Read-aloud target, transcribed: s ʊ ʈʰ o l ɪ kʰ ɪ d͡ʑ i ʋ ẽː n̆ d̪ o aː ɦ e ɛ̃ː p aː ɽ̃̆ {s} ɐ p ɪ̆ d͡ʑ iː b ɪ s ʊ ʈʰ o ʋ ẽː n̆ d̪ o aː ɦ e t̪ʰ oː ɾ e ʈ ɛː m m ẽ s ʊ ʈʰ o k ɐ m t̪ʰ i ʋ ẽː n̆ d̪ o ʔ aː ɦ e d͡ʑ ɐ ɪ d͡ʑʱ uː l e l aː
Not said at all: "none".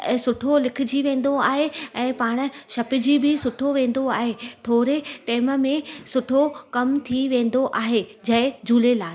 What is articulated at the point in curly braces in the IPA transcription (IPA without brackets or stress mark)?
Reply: ʃ